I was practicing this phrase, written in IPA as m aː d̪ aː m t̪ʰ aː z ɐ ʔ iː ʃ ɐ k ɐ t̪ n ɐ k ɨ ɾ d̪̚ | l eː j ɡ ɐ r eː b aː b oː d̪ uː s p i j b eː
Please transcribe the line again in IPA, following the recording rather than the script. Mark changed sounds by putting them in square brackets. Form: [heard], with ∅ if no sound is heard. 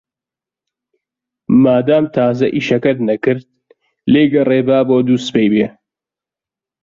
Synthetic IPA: m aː d̪ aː m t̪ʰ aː z ɐ ʔ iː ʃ ɐ k ɐ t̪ n ɐ k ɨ ɾ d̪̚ | l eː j ɡ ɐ r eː b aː b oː d̪ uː s p [e] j b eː